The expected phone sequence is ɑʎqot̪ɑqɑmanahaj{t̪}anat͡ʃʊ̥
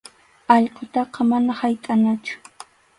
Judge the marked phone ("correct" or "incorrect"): incorrect